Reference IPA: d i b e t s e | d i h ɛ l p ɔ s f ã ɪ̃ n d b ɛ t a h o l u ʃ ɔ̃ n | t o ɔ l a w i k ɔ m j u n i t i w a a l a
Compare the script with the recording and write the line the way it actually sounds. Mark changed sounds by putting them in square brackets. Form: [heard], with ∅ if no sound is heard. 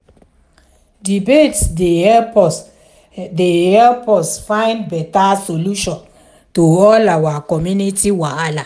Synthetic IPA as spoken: d i b e t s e | d [e] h ɛ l p ɔ s f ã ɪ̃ n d b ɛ t a [s] o l u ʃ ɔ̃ n | t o ɔ l a w [a] k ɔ m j u n i t i w a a l a

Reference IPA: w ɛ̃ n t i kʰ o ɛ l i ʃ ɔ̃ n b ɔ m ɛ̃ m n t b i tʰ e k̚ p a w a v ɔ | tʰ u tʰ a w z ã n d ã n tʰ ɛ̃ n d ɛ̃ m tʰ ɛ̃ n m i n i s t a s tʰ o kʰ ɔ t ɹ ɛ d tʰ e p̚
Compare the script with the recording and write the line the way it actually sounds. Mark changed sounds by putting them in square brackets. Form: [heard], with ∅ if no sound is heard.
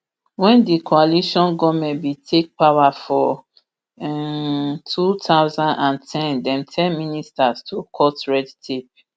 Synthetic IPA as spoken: w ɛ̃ n [d] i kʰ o [a] l i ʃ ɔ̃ n [ɡ] ɔ m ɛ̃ [∅] n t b i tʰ e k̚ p a w a [f] ɔ | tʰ u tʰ a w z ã n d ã n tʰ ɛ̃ n d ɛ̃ m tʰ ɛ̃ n m i n i s t a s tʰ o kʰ ɔ t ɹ ɛ d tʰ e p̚

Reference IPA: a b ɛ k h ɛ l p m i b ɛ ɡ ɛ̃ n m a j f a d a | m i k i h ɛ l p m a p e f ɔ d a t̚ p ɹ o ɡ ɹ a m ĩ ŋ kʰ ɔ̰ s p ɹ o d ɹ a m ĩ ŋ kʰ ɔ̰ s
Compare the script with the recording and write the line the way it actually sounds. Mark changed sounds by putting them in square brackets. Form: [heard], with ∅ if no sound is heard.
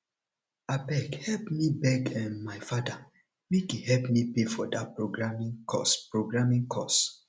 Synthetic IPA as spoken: a b ɛ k h ɛ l p m i b ɛ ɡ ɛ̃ n m a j f a d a | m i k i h ɛ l p m [i] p e f ɔ d a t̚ p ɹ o ɡ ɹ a m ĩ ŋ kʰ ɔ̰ s p ɹ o [ɡ] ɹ a m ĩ ŋ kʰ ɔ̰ s

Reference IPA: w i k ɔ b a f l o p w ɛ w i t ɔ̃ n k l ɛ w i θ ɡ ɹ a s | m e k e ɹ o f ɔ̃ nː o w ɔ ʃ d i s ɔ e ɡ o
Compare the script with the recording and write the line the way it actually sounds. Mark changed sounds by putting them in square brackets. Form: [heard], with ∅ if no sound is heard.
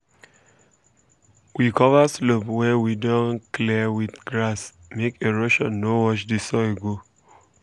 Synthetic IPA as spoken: w i k ɔ [v] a [s] l o p w ɛ w i [d] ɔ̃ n k l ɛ w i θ ɡ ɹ a s | m e k e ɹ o [ʃ] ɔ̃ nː o w ɔ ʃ d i s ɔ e ɡ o

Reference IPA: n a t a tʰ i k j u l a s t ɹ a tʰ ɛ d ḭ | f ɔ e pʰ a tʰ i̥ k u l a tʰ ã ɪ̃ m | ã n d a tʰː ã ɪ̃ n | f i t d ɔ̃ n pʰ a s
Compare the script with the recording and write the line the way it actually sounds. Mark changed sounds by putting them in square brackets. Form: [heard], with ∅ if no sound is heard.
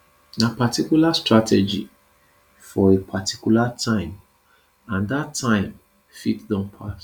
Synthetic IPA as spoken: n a [p] a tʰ i k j u l a s t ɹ a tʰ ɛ [d͡ʒ] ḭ | f ɔ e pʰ a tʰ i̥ k u l a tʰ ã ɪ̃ m | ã n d a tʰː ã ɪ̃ [m] | f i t d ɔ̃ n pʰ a s

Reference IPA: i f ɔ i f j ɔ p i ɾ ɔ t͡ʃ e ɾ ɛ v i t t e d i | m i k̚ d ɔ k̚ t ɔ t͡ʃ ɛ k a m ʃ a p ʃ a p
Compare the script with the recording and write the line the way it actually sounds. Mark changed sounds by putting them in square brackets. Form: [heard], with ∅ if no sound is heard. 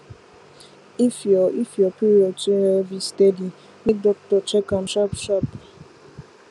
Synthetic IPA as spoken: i f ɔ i f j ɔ p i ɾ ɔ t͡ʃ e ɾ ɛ v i [s] t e d i | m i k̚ d ɔ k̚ t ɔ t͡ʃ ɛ k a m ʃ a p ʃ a p

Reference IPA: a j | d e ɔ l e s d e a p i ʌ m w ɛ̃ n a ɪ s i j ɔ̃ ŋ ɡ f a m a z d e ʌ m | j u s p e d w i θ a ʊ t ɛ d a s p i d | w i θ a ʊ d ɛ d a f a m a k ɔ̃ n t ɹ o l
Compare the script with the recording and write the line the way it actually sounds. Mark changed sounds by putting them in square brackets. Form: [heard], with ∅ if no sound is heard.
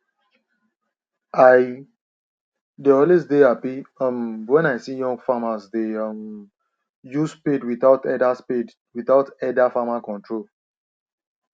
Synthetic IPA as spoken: a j | d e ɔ l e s d e a p i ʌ m w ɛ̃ n a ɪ s i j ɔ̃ ŋ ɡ f a m a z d e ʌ m | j u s p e d w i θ a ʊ t ɛ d a s p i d | w i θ a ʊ [t] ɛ d a f a m a k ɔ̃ n t ɹ o l

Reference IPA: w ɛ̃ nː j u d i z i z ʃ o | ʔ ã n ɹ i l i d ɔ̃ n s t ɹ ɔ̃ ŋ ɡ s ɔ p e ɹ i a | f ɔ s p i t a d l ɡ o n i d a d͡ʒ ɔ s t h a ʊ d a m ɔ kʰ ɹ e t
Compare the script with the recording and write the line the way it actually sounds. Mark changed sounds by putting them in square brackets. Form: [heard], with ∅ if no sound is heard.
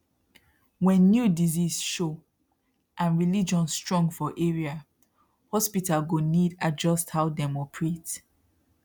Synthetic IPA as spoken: w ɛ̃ nː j u d i z i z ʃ o | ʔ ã n ɹ i l i [d͡ʒ] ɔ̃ n s t ɹ ɔ̃ ŋ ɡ [f] ɔ [ʔ] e ɹ i a | [h] ɔ s p i t a [∅] l ɡ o n i d a d͡ʒ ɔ s t h a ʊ d [ɛ] m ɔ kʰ ɹ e t

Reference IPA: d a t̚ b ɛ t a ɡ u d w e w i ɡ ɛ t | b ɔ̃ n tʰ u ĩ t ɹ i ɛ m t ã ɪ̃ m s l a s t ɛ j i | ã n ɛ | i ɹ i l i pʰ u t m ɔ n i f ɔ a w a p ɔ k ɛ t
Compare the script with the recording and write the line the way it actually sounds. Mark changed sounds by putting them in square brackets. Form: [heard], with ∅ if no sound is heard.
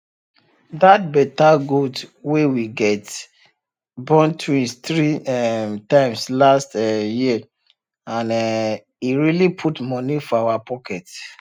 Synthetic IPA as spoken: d a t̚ b ɛ t a ɡ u d w e w i ɡ ɛ t | b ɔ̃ n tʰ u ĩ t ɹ i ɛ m t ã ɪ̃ m s l a s t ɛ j i | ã n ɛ | i ɹ i l i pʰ u t m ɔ n i f ɔ a w a p ɔ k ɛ t

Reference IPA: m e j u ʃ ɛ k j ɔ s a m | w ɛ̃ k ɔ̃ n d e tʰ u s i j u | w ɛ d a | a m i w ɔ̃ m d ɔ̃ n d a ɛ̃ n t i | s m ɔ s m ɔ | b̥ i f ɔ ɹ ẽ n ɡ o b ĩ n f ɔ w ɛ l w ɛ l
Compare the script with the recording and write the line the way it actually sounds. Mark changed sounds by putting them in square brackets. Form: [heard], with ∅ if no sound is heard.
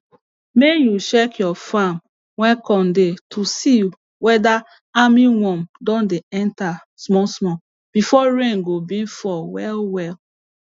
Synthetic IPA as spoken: m e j u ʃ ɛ k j ɔ [f] a m | w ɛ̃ k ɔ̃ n d e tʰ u s i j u | w ɛ d a | a m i w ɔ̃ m d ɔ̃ n d [e] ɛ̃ n t [a] | s m ɔ s m ɔ | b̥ i f ɔ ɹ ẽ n ɡ o b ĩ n f ɔ w ɛ l w ɛ l

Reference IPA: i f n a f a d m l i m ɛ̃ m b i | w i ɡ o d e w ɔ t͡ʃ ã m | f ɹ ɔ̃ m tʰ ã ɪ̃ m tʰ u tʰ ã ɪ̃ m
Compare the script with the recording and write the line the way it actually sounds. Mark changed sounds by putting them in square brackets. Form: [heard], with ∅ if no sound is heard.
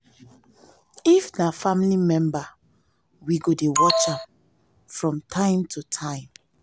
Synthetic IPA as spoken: i f n a f a [∅] m l i m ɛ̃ m b [a] | w i ɡ o d e w ɔ t͡ʃ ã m | f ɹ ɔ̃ m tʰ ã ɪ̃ m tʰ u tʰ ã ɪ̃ m

